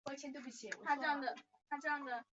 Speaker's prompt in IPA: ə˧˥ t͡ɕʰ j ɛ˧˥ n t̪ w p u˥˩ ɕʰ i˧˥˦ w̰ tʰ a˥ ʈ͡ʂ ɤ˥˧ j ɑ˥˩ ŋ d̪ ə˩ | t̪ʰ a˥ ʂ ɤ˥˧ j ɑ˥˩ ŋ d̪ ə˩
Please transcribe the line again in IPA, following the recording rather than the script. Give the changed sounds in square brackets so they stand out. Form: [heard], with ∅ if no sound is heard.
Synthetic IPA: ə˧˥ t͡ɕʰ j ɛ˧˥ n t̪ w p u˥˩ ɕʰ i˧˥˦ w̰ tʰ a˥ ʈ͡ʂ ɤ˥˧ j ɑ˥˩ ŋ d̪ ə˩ | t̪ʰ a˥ [ʈ͡ʂ] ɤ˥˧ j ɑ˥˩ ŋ d̪ ə˩